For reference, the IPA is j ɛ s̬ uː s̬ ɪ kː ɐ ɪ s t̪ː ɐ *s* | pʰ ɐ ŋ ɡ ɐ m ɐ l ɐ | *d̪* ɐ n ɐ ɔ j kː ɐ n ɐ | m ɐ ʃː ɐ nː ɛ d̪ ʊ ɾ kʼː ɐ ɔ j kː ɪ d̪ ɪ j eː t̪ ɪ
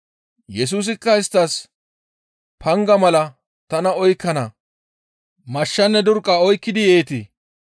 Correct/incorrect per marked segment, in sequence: correct, incorrect: t̪

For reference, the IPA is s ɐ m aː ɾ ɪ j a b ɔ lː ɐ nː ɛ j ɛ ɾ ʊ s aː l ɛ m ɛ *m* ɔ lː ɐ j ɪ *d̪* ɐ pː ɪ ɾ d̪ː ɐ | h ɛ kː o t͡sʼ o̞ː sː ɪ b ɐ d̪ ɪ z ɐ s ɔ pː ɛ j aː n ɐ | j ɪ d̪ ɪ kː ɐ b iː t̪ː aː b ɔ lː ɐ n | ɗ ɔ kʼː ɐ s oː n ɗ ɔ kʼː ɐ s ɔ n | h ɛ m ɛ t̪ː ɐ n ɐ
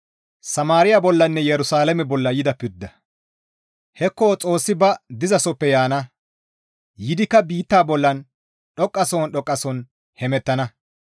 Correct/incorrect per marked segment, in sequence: incorrect: b, correct

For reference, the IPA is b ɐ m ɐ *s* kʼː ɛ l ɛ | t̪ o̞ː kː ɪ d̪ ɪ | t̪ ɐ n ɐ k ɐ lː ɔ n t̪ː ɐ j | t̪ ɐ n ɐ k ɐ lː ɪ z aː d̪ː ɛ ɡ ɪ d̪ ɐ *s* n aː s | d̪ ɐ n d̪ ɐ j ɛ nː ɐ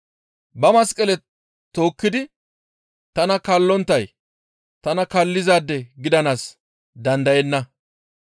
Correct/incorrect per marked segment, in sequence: correct, incorrect: none

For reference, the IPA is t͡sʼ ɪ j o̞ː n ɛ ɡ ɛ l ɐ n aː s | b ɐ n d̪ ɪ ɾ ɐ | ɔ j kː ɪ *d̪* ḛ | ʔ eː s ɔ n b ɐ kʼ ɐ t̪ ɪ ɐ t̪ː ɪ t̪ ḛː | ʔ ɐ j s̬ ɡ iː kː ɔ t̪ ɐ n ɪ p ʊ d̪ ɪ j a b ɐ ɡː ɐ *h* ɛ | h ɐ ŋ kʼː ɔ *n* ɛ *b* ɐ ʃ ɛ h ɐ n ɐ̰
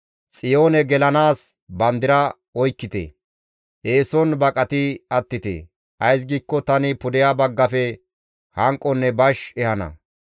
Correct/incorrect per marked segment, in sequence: incorrect: t̪, incorrect: f, incorrect: nː, correct

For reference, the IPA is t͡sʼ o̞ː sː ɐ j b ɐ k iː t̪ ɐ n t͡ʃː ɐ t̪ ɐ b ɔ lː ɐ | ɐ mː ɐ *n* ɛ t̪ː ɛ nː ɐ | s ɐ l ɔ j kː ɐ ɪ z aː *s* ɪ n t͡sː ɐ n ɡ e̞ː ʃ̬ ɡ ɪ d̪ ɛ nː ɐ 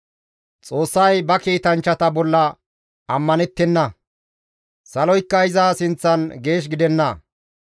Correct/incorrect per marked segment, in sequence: correct, correct

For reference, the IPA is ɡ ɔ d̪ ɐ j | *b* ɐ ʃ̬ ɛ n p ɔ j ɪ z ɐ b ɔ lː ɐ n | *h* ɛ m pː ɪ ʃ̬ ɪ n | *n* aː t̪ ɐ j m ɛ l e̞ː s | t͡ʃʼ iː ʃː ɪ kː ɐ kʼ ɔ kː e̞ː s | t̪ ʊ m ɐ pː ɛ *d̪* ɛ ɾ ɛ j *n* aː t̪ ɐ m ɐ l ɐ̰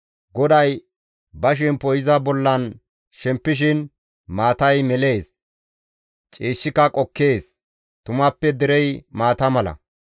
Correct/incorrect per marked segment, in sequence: correct, incorrect: ʃ, incorrect: m, correct, incorrect: m

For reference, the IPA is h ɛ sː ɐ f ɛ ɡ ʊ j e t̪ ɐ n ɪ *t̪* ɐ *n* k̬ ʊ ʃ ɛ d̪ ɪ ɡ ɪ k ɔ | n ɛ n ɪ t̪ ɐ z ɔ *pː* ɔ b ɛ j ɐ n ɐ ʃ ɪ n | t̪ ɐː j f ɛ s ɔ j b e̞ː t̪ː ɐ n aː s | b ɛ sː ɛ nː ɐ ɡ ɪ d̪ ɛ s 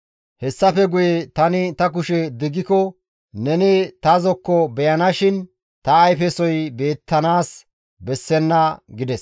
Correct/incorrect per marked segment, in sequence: correct, incorrect: none, incorrect: kː

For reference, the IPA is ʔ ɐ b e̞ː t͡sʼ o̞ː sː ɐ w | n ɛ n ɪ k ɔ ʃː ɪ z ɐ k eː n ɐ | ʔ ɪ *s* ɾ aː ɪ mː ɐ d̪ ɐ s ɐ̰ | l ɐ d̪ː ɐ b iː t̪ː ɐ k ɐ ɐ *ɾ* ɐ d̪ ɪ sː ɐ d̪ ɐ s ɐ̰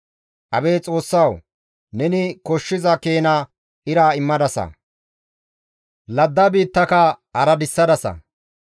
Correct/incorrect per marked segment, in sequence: incorrect: none, correct

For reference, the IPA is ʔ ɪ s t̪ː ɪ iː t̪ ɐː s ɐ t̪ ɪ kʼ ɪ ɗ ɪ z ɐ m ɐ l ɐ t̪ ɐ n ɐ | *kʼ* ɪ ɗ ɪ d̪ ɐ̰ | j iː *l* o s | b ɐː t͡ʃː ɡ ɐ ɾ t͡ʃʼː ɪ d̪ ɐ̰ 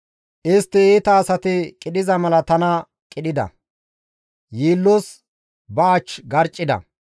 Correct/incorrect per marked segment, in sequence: correct, incorrect: lː

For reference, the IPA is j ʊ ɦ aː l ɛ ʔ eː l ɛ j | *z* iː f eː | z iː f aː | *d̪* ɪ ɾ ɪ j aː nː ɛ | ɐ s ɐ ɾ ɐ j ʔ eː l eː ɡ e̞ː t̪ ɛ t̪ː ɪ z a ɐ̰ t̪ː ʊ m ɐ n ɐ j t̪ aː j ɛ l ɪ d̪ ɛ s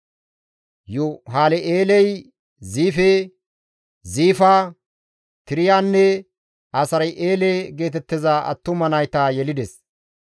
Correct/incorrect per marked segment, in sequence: correct, incorrect: t̪

